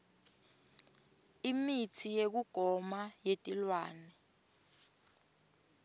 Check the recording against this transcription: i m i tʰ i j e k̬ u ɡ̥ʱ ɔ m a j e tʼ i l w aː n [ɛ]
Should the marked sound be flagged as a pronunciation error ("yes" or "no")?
no